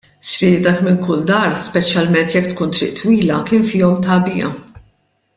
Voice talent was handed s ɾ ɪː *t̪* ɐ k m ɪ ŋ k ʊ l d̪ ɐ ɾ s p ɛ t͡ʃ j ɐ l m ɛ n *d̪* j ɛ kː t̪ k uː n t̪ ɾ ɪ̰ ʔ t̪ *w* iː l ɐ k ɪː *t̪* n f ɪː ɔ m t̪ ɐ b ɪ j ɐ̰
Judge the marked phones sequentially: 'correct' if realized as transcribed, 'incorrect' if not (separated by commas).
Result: incorrect, incorrect, correct, incorrect